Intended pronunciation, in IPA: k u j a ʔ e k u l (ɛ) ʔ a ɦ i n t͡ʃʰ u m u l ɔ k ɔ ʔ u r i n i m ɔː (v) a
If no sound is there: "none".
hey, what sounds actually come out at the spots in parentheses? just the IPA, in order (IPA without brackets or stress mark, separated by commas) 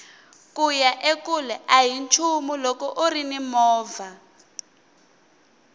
ɛ, v